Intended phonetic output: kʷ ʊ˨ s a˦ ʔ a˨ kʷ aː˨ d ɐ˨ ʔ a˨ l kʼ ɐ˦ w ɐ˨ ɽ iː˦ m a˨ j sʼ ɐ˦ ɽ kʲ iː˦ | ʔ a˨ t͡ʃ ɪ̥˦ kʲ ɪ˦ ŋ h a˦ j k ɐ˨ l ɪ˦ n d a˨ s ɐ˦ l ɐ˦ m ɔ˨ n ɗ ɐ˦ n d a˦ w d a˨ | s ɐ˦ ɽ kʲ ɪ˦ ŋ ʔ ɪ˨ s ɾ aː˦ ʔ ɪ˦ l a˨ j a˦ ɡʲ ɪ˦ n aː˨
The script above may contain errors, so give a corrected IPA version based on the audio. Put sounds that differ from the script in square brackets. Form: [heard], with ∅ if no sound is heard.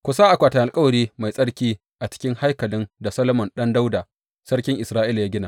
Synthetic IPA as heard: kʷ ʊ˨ s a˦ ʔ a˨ kʷ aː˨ [t] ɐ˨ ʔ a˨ l kʼ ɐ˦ w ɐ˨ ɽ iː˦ m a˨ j sʼ ɐ˦ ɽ kʲ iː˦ | ʔ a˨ t͡ʃ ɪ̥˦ kʲ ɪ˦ ŋ h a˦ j k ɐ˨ l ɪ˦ n d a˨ s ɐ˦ l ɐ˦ m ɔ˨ n ɗ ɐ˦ n d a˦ w d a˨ | s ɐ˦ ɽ kʲ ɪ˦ ŋ ʔ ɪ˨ s ɾ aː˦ ʔ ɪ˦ l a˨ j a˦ ɡʲ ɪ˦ n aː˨